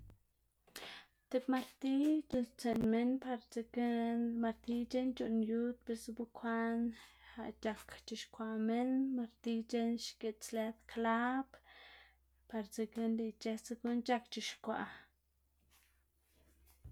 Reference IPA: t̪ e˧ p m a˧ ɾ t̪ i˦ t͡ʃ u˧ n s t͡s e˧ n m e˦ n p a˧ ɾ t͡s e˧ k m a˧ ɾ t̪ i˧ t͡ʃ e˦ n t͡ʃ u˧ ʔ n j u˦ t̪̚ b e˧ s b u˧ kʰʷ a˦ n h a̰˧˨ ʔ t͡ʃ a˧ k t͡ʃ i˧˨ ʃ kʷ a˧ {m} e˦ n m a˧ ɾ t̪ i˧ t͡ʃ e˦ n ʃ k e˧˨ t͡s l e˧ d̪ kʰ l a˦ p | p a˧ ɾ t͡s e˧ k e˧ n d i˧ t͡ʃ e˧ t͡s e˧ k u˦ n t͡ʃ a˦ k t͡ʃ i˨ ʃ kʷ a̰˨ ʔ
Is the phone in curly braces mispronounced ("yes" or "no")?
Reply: no